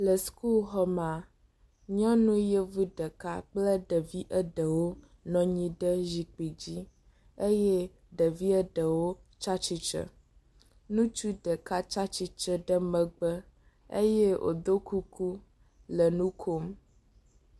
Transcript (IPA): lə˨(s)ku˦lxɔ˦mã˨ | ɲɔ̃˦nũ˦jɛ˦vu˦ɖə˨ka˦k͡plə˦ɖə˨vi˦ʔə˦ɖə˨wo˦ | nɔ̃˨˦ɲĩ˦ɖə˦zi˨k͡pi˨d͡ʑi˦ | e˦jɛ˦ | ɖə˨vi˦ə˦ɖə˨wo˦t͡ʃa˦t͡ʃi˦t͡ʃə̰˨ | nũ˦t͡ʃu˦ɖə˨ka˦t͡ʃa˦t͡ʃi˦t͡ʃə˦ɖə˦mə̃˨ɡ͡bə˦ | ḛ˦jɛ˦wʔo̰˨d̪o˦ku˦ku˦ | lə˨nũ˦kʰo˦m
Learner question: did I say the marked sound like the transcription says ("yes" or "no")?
yes